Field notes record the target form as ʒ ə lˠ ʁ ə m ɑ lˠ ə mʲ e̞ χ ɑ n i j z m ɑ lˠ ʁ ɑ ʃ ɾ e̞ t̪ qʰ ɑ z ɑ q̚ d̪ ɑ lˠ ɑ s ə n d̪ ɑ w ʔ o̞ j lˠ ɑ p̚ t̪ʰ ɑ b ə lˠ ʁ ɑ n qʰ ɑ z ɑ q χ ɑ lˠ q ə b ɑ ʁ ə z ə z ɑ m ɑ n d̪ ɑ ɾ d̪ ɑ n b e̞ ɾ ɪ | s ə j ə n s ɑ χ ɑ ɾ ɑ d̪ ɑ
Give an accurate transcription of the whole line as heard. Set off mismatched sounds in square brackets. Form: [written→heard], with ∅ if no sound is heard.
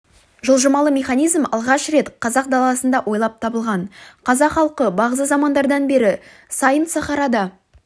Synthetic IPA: ʒ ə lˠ [ʁ→ʒ] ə m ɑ lˠ ə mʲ e̞ χ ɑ n i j z m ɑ lˠ ʁ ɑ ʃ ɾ e̞ t̪ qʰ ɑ z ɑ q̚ d̪ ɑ lˠ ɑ s ə n d̪ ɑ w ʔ o̞ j lˠ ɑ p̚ t̪ʰ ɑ b ə lˠ ʁ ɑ n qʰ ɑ z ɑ q χ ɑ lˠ q ə b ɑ ʁ ə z ə z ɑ m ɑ n d̪ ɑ ɾ d̪ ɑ n b e̞ ɾ ɪ | s [ə→ɑ] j ə n s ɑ χ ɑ ɾ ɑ d̪ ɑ